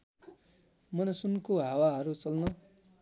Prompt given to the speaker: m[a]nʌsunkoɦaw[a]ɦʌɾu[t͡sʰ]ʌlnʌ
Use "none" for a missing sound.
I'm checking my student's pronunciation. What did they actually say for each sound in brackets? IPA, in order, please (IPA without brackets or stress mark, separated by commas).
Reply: ʌ, a, t͡s